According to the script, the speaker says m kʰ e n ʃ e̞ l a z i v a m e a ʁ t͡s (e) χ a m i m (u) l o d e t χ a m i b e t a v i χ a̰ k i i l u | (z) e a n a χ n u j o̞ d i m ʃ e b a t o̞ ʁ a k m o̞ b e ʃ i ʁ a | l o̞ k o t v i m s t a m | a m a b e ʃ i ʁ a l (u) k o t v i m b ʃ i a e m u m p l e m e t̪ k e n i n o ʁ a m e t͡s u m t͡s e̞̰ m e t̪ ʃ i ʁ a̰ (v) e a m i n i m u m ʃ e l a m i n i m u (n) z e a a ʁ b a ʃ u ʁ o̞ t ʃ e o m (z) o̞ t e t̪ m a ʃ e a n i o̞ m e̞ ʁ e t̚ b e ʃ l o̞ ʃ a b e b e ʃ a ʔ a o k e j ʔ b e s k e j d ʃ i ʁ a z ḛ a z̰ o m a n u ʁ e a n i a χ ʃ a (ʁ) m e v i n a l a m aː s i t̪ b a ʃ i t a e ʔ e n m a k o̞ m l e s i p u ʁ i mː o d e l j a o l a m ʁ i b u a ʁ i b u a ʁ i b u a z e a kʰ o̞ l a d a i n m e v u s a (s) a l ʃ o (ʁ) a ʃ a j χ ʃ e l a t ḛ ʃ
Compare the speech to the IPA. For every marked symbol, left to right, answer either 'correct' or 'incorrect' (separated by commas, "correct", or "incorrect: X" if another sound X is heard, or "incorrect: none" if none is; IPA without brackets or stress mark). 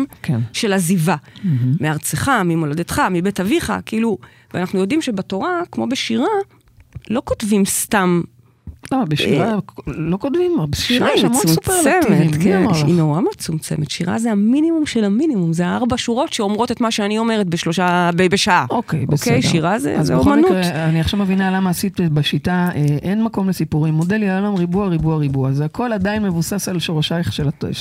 correct, incorrect: o, incorrect: v, incorrect: o, incorrect: z, incorrect: m, incorrect: ʁ, incorrect: v, correct, correct